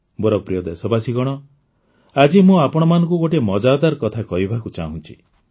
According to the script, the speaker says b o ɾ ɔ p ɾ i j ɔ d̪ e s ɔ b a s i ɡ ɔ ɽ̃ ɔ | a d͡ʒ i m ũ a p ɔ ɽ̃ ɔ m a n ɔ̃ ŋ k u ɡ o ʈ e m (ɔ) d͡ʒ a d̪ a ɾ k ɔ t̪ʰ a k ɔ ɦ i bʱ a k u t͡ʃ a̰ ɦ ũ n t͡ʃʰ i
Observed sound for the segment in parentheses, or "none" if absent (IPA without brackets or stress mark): ɔ